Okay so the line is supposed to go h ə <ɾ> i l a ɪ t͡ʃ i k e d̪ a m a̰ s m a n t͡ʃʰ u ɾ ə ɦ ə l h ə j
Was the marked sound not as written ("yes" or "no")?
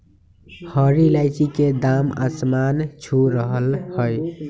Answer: no